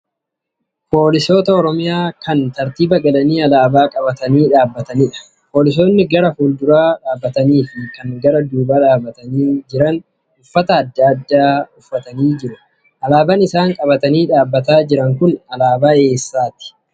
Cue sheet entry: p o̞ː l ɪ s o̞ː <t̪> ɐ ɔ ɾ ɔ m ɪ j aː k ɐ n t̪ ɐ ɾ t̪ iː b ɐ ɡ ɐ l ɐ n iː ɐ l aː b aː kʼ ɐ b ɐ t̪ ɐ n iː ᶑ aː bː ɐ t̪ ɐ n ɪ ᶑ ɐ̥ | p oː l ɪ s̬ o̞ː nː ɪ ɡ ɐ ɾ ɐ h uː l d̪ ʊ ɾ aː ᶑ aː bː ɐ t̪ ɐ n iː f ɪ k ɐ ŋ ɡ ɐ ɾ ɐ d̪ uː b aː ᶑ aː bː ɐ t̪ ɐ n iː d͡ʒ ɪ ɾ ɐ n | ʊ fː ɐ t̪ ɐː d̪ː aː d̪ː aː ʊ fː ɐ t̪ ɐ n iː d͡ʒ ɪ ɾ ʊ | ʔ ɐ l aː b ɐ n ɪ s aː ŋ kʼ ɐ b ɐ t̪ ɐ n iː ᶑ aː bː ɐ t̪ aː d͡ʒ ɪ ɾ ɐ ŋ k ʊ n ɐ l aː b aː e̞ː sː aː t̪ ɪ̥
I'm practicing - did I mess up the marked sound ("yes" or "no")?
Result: no